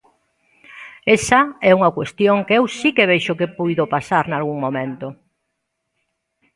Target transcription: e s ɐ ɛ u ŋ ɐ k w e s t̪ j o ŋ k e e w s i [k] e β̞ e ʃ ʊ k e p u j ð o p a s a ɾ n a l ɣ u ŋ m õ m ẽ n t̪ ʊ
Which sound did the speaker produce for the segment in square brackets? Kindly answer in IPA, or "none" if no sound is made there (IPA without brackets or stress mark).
k